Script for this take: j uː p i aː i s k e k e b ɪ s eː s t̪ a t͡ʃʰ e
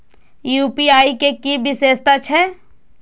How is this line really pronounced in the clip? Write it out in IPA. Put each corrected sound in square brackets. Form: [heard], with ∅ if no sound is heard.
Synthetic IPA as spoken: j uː p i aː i [∅] k e k [i] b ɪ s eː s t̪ a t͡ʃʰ [ɛ]